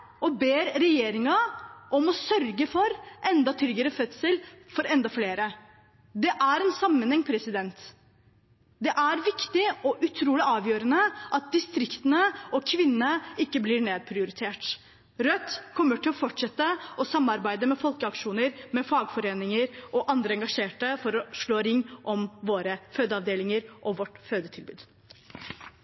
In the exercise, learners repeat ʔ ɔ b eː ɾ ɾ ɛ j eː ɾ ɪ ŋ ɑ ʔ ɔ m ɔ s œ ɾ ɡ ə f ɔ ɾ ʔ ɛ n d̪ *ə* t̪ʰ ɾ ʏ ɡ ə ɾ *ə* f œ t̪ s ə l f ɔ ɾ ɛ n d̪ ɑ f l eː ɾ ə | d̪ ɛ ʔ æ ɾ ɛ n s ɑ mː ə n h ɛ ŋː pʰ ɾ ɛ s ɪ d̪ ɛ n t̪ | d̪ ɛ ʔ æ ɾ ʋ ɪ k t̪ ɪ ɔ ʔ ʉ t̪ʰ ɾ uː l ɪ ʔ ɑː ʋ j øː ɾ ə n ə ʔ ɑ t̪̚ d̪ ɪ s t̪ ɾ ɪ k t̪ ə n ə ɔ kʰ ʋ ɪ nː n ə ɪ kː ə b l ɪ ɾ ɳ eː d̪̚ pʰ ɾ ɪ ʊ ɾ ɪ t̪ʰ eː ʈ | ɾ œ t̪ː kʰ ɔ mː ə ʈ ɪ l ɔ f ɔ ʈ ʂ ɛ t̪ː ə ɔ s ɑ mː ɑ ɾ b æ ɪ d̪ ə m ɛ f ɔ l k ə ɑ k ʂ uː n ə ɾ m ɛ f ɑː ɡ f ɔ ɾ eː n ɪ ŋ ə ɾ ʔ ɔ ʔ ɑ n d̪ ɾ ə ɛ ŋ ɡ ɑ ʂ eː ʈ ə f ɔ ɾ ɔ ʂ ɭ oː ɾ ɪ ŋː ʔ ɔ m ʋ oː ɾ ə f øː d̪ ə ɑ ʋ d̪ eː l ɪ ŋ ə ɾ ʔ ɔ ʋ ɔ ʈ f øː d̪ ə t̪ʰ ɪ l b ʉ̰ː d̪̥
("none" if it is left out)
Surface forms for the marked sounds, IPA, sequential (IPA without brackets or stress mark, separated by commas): ɑ, ə